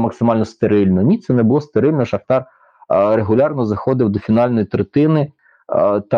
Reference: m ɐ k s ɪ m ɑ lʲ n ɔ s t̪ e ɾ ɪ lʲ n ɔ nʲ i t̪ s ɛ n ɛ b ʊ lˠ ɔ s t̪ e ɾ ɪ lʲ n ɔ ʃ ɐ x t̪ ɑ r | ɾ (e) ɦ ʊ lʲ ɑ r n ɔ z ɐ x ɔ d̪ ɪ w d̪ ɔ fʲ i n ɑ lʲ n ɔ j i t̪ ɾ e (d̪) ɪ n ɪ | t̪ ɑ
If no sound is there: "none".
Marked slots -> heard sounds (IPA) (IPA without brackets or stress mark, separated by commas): e, t̪